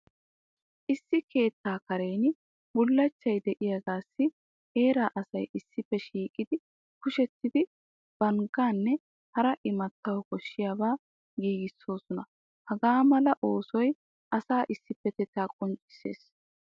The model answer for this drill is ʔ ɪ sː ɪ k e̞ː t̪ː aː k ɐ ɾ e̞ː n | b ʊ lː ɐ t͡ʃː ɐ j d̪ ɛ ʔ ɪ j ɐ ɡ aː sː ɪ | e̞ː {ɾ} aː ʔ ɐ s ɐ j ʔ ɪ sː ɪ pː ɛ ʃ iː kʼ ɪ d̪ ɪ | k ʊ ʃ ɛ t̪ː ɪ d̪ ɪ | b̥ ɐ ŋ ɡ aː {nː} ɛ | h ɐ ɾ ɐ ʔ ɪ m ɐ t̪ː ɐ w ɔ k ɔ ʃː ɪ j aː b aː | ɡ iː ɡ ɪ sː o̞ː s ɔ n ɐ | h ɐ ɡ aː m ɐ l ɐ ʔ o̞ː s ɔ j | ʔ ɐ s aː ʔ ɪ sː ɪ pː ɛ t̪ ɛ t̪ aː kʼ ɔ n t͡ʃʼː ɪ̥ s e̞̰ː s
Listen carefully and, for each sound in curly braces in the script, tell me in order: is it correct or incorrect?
correct, correct

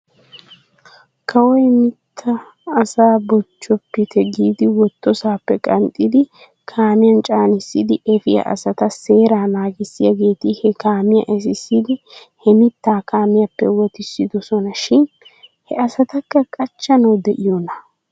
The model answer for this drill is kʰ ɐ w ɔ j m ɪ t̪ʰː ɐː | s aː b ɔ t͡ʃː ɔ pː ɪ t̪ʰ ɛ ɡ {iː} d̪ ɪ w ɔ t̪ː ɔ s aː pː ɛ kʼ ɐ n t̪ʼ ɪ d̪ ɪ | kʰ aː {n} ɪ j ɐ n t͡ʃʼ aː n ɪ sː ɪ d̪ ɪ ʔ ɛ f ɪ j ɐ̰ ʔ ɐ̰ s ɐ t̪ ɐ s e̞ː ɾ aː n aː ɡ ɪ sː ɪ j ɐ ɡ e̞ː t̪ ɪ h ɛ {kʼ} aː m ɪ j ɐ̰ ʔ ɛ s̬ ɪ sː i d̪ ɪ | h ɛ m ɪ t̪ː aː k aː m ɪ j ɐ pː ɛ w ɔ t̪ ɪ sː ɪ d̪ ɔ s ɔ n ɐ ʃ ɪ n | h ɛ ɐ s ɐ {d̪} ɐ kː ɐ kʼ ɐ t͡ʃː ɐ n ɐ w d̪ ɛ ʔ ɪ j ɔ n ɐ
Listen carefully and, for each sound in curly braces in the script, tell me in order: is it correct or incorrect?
correct, incorrect, incorrect, incorrect

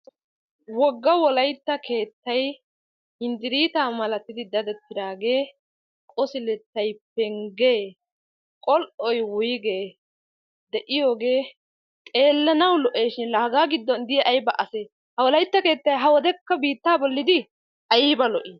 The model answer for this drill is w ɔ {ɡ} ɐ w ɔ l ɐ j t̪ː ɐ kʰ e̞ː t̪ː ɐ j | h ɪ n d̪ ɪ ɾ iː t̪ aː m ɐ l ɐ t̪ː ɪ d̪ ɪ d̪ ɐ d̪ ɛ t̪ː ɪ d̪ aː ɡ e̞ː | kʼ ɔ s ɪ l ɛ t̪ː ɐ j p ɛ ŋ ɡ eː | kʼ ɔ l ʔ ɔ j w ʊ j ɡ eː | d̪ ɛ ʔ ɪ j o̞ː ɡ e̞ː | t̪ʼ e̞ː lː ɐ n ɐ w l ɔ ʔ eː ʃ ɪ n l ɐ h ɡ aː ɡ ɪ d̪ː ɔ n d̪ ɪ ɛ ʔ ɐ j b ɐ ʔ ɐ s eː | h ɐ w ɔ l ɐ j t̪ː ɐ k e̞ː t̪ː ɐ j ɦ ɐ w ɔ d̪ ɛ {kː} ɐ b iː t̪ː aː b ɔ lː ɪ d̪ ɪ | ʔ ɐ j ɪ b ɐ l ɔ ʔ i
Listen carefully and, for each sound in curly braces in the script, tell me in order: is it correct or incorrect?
incorrect, correct

